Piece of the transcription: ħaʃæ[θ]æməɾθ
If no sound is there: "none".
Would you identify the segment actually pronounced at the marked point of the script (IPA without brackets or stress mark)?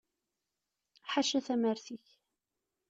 θ